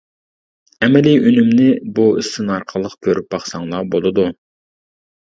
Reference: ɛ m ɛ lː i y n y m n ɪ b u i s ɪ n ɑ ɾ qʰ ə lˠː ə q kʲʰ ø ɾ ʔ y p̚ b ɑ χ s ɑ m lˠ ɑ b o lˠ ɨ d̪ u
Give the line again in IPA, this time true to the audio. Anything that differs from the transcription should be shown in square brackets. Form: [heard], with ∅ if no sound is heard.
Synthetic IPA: ɛ m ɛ [l] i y n y m n ɪ b u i s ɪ n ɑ ɾ qʰ ə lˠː ə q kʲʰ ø ɾ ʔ y p̚ b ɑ χ s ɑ [ŋ] lˠ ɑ b o lˠ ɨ d̪ u